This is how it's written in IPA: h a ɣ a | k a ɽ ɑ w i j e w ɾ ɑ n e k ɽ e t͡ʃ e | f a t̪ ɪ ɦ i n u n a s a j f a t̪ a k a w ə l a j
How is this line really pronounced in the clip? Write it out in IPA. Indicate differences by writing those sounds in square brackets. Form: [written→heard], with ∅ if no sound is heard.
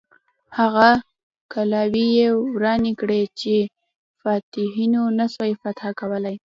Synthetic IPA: h a ɣ a | k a [ɽ→l] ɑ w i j e w ɾ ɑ n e k ɽ e t͡ʃ e | f [a→ɑ] t̪ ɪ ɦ i n [u→o] n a s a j f a t̪ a k a w ə l a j